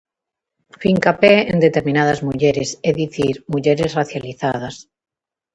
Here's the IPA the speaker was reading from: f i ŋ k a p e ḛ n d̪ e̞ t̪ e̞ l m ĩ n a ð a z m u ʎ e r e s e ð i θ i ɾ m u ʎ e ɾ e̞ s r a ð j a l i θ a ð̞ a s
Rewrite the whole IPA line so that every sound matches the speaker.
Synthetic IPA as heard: f i ŋ k a p e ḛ n d̪ e̞ t̪ e̞ ɾ m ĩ n a ð a z m u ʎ e ɾ e s e ð i θ i ɾ m u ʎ e ɾ e̞ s r a θ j a l i θ a ð̞ a s